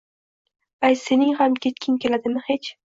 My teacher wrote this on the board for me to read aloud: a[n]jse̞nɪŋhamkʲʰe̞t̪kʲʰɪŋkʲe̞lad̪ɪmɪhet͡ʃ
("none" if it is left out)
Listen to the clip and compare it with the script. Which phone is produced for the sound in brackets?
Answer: none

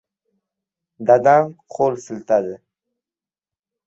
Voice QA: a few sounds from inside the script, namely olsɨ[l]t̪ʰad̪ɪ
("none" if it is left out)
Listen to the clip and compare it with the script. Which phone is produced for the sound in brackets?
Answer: l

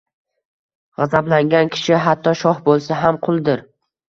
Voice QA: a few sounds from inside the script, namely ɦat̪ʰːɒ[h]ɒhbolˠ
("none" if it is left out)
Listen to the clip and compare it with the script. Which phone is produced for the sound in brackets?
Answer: ʃ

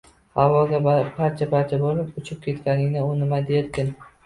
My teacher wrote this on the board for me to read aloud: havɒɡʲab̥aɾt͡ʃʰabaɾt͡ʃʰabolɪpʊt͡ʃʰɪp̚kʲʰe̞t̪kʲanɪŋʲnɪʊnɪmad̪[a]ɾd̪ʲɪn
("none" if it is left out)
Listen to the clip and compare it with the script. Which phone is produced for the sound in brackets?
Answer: e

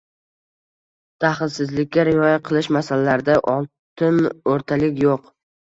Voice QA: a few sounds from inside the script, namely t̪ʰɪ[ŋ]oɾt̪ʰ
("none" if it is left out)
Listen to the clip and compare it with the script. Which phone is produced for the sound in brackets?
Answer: n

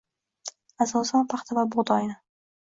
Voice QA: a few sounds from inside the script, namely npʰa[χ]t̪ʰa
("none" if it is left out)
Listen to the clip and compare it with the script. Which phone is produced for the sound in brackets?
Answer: χ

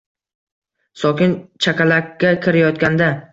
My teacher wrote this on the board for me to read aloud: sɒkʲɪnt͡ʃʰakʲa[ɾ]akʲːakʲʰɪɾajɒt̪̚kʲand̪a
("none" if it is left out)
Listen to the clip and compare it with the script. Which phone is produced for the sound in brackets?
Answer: l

